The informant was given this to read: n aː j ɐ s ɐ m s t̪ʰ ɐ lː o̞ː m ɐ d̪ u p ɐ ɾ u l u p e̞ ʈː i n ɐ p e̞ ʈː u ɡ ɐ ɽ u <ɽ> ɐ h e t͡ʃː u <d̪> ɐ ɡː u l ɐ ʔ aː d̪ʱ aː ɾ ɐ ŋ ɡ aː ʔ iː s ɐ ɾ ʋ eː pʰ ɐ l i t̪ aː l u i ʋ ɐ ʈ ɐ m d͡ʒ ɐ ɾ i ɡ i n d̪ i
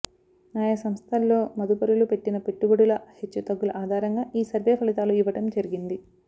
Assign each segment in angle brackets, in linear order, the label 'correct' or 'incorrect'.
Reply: incorrect: l, incorrect: t̪

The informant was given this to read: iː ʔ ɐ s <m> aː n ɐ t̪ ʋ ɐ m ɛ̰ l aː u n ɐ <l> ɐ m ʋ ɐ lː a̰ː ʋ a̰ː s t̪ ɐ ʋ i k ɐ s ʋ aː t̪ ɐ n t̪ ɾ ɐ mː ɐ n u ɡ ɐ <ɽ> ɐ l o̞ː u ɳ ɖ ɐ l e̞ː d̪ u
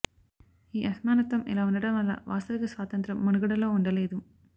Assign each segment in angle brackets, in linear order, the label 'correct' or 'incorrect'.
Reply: correct, incorrect: ɽ, correct

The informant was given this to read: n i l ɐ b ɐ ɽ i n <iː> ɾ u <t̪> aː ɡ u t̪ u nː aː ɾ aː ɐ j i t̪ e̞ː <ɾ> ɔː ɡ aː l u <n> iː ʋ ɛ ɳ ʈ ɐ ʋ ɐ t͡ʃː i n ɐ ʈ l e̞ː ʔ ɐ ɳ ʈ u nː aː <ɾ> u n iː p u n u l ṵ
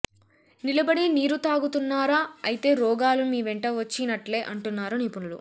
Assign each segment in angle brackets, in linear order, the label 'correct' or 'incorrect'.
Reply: correct, correct, correct, incorrect: m, correct

